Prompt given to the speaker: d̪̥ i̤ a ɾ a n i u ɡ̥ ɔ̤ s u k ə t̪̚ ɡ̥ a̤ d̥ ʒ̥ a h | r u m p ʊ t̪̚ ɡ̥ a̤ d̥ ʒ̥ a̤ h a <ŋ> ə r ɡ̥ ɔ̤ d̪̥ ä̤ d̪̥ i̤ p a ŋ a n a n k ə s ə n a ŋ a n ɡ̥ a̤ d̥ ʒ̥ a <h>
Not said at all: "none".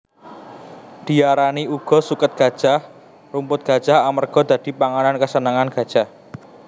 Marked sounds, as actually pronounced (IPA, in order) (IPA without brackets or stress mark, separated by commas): m, h